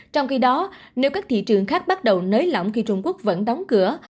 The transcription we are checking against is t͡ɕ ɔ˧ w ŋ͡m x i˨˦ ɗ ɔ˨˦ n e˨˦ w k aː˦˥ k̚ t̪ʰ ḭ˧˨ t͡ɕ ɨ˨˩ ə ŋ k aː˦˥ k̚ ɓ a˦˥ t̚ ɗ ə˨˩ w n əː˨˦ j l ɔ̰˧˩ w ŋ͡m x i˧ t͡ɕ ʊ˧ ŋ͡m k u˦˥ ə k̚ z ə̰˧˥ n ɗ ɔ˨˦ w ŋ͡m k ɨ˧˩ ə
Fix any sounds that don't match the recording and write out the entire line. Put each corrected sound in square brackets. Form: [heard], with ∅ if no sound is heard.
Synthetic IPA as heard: t͡ɕ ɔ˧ w ŋ͡m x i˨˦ ɗ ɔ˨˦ n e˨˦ w k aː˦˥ k̚ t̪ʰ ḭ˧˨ t͡ɕ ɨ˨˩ ə ŋ [x] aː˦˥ k̚ ɓ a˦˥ t̚ ɗ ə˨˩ w n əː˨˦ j l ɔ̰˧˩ w ŋ͡m x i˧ t͡ɕ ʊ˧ ŋ͡m k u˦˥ ə k̚ [v] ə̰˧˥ n ɗ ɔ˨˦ w ŋ͡m k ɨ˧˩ ə